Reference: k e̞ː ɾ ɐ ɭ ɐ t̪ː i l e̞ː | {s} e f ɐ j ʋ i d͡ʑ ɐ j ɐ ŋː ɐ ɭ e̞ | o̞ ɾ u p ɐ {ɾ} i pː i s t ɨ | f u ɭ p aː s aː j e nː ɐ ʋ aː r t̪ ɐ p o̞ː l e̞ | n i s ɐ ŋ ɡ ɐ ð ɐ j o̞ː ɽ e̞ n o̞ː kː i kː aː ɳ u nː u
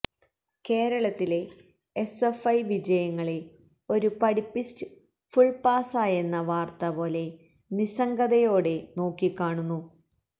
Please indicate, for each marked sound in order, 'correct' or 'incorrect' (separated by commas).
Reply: correct, incorrect